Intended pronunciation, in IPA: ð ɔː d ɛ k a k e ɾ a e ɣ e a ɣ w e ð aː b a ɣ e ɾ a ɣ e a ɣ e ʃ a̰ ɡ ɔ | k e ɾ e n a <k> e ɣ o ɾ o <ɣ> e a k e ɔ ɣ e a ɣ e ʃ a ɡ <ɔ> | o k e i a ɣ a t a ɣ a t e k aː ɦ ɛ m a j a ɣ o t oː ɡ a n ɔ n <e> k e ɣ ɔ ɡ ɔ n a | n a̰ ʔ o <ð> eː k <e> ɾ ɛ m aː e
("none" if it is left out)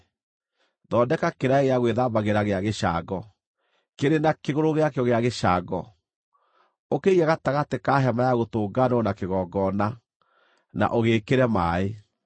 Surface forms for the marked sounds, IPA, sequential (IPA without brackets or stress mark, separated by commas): k, ɣ, ɔ, a, ɣ, e